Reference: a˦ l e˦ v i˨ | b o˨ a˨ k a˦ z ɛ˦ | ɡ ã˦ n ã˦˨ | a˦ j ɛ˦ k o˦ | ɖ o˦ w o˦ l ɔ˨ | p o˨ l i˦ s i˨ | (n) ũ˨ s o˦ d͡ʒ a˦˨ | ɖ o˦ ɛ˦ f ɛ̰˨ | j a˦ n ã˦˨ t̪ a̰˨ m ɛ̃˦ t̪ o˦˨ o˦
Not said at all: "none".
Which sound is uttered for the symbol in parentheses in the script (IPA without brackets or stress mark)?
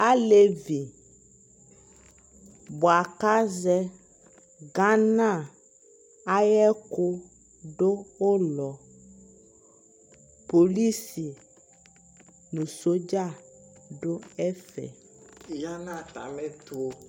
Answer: n